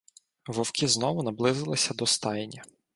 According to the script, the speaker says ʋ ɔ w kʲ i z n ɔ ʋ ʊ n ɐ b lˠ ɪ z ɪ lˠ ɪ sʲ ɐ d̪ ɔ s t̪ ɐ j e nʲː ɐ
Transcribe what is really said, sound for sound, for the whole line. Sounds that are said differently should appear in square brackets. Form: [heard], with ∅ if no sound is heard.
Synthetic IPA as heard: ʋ ɔ w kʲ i z n ɔ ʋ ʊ n ɐ b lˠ ɪ z ɪ lˠ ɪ sʲ ɐ d̪ ɔ s t̪ [ɑ] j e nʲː ɐ